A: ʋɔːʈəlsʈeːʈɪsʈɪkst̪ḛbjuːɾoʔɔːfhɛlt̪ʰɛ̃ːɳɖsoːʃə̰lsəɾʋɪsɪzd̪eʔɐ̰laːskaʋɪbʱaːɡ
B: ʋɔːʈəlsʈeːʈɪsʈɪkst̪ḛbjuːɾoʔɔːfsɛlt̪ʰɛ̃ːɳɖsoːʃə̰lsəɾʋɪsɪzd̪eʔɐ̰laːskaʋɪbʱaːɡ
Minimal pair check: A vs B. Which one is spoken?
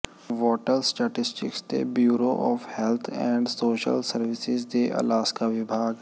A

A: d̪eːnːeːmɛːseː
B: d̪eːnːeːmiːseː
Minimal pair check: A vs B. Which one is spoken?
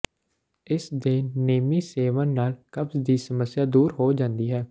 B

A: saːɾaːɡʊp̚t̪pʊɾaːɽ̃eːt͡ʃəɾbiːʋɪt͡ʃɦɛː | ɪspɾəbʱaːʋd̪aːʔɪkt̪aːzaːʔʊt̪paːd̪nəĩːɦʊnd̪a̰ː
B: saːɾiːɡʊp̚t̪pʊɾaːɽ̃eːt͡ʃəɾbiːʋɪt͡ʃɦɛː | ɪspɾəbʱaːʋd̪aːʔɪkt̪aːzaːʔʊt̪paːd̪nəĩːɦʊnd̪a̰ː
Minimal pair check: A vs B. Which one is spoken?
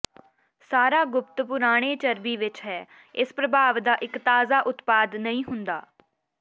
A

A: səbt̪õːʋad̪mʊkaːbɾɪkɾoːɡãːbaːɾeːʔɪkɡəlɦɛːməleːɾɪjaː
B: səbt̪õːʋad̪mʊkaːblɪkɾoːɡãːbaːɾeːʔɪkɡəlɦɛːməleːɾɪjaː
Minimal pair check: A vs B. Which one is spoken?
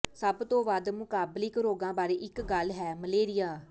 B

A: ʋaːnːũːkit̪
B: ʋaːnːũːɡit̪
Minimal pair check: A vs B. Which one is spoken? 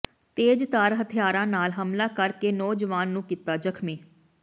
A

